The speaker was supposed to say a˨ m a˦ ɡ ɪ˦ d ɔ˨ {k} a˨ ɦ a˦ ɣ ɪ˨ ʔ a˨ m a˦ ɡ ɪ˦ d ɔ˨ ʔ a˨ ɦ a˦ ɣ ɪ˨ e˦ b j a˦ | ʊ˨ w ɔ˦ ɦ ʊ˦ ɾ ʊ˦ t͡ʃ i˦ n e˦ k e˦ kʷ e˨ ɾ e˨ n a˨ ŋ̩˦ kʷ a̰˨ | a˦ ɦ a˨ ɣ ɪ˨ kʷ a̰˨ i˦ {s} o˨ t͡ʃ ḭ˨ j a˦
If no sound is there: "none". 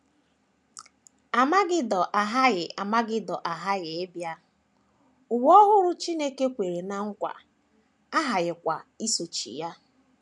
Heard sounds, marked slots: ʔ, s

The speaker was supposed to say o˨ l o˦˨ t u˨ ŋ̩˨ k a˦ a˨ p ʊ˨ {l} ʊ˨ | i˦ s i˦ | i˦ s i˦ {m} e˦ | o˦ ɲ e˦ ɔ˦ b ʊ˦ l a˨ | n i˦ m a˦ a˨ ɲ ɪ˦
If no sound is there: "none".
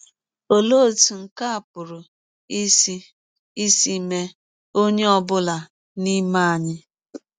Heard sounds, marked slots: ɾ, m

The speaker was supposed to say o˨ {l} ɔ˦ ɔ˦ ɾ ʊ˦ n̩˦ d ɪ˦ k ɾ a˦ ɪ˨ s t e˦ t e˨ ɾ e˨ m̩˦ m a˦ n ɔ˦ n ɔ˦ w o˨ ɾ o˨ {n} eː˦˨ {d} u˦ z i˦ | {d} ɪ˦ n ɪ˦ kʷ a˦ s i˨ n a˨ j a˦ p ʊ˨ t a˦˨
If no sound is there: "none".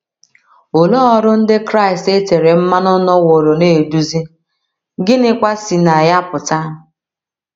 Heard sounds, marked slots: l, n, d, ɡ

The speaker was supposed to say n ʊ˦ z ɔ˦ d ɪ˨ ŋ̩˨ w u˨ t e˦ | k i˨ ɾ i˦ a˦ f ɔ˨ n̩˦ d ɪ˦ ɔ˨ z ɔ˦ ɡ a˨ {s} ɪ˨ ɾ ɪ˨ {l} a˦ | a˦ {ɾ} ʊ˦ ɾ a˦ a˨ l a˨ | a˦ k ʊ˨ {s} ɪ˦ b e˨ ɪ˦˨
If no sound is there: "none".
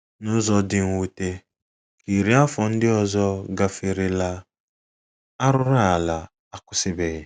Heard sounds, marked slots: f, l, ɾ, s

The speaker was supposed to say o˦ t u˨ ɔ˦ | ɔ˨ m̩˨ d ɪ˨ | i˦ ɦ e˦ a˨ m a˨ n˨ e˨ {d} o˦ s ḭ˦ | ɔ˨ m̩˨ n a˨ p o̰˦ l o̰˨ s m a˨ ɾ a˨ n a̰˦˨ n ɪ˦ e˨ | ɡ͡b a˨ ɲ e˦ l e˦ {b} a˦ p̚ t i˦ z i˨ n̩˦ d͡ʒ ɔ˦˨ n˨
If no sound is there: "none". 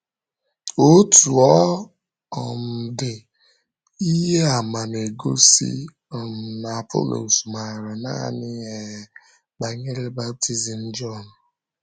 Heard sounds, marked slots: ɡ, b

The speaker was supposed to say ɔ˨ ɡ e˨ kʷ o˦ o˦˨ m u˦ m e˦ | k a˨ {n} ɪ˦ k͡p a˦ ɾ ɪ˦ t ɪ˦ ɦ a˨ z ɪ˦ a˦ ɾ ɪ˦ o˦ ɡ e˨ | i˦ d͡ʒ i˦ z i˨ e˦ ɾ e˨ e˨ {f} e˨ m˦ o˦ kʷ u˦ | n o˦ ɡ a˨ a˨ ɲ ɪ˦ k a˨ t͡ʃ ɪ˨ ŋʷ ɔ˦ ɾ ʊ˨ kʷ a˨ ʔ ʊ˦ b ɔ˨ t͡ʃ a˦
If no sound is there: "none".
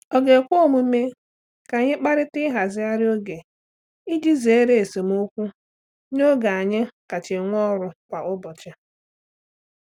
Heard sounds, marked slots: ɲ, s

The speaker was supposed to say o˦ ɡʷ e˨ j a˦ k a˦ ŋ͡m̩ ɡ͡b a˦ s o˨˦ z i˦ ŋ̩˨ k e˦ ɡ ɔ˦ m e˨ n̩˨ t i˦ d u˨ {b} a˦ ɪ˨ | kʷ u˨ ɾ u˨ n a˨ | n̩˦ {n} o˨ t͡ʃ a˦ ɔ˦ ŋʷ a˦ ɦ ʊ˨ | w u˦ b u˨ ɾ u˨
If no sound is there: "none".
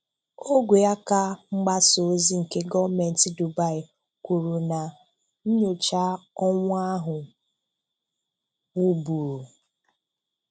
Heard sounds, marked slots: b, ɲ

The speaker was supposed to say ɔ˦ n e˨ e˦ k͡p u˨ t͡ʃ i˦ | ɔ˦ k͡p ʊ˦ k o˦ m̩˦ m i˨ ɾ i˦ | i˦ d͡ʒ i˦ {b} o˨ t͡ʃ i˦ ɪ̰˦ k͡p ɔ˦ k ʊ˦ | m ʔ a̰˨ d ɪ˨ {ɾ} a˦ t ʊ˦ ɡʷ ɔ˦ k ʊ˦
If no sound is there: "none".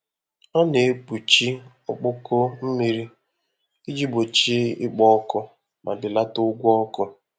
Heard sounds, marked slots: b, l

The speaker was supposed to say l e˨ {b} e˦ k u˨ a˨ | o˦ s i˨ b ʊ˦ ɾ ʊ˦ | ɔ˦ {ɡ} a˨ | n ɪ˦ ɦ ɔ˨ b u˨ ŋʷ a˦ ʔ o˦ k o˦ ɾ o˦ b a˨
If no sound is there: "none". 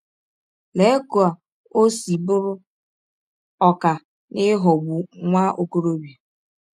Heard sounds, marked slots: none, k

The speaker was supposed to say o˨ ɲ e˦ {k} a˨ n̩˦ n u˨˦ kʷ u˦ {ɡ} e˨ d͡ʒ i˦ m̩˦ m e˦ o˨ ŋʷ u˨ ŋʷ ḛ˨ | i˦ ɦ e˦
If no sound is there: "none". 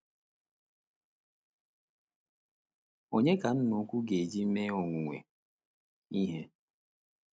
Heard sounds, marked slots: k, ɡ

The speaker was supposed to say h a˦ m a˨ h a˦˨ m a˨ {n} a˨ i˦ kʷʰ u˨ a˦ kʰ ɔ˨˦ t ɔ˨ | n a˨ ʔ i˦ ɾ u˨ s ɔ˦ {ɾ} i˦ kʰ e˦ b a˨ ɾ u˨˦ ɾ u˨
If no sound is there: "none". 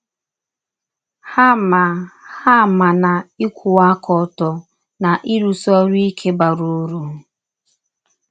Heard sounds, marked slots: n, ɾ

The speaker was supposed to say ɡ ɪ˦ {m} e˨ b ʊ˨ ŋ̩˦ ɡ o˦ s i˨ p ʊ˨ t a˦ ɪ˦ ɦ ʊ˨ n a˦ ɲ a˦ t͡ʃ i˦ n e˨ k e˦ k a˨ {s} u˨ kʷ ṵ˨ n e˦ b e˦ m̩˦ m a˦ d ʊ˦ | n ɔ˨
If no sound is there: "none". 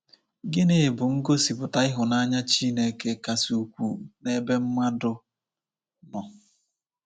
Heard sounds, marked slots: n, s

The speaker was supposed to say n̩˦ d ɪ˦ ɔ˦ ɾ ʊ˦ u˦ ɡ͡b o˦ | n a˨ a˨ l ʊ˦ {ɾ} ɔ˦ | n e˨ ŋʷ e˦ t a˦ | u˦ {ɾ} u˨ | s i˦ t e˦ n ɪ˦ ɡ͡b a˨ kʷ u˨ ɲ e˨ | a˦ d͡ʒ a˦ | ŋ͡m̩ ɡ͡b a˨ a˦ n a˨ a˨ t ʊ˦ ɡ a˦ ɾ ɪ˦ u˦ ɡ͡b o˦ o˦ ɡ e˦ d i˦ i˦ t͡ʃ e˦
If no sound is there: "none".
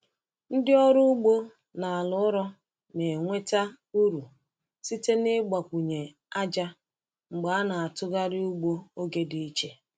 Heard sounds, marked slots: ɾ, ɾ

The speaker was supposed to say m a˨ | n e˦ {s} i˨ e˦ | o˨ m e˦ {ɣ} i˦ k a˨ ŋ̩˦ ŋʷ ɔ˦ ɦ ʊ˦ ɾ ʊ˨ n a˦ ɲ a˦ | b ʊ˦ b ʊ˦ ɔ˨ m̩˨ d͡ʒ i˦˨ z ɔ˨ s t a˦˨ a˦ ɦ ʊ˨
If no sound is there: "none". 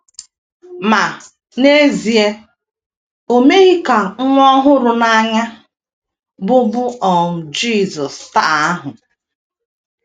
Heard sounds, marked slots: z, ɣ

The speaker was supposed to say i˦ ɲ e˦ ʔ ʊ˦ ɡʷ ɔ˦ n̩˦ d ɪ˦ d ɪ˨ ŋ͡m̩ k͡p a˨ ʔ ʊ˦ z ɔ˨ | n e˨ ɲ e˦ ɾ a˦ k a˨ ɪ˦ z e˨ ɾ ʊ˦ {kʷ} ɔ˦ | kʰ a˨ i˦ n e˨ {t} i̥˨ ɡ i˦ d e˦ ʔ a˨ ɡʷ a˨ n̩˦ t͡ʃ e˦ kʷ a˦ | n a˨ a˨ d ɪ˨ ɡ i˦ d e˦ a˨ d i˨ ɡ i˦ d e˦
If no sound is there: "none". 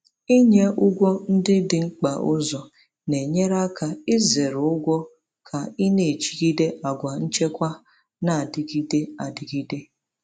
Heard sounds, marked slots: ɡʷ, t͡ʃ

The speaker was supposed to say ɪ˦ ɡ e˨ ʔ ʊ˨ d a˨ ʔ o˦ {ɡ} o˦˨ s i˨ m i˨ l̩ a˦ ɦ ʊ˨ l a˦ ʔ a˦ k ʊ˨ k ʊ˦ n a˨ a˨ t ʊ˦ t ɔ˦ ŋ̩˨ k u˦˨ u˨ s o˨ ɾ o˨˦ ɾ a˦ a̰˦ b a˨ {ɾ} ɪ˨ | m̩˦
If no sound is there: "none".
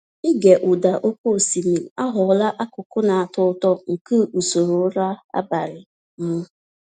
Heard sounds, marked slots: k, ɾ

